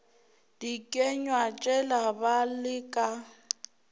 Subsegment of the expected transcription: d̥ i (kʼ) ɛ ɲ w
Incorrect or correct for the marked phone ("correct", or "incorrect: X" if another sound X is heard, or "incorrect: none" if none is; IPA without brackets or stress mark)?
correct